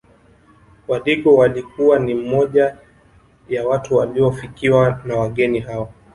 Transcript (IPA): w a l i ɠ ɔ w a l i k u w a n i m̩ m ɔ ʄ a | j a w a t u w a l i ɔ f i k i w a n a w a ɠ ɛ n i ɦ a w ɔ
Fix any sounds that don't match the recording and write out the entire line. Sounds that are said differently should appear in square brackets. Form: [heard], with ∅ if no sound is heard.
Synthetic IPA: w a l i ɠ ɔ w a l i k u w a n i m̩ m ɔ ʄ a | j a w a t u w a l i ɔ f i k i w a n a w a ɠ ɛ n i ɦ a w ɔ